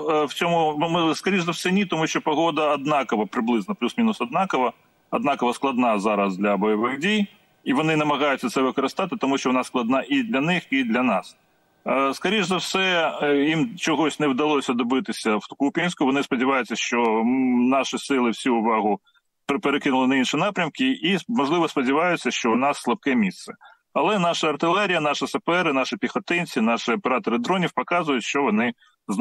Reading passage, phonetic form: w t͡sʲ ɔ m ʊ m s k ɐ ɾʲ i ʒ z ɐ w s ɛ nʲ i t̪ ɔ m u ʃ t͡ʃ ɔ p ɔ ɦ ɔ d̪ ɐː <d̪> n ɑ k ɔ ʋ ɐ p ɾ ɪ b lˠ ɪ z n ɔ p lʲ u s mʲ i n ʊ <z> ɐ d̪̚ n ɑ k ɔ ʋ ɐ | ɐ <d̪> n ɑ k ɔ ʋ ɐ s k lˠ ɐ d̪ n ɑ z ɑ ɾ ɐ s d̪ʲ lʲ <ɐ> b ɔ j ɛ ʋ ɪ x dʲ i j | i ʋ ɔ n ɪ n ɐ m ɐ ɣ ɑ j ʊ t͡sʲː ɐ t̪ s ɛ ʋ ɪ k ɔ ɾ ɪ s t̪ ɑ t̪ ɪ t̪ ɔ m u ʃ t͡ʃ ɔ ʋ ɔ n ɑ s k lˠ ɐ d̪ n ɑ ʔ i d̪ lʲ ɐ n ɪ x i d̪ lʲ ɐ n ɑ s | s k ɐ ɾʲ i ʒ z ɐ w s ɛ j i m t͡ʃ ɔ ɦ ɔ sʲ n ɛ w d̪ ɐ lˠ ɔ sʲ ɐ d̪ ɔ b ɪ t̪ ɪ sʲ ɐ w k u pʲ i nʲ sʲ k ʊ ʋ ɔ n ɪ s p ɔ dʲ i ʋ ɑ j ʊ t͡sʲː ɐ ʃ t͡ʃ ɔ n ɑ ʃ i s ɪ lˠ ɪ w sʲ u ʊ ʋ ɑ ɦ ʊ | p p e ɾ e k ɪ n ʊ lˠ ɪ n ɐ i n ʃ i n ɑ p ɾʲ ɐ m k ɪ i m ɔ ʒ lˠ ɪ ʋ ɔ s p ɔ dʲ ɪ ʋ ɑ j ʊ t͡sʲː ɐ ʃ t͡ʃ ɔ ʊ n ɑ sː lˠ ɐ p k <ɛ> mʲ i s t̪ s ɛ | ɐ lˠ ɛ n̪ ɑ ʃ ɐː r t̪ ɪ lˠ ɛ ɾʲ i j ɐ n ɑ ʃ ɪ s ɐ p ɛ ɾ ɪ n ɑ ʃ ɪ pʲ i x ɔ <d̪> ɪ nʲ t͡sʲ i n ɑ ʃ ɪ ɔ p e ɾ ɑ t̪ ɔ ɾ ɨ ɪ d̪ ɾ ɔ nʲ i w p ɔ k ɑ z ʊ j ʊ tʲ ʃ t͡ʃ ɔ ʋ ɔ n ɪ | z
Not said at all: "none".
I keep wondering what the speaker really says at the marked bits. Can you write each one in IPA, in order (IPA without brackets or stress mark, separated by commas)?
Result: d̪, s, d̪, ɐ, ɛ, t̪